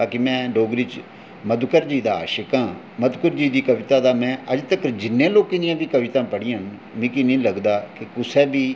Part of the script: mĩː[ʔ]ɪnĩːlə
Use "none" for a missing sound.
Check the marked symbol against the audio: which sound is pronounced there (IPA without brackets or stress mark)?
k